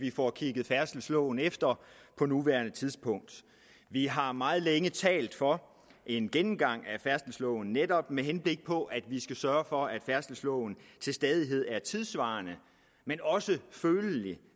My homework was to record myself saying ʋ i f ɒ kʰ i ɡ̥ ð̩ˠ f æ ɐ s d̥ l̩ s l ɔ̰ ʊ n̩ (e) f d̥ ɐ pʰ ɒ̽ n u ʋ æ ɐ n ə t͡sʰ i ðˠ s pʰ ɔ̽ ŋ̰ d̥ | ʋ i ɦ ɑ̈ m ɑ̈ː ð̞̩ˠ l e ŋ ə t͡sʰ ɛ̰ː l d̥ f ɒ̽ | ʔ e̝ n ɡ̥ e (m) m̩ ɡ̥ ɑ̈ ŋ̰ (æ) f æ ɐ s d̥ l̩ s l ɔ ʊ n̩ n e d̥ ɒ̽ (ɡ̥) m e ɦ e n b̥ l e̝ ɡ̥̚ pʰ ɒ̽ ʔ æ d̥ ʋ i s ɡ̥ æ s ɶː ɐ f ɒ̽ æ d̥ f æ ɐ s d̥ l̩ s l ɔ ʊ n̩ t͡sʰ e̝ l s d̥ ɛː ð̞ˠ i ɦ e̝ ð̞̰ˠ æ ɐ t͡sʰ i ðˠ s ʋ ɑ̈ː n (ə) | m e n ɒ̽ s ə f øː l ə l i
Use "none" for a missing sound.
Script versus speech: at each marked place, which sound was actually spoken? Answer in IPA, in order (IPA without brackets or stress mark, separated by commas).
e, n, æ, b̥, ə